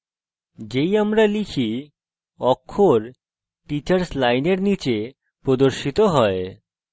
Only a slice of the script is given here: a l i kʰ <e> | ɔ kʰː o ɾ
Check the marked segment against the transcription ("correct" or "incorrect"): incorrect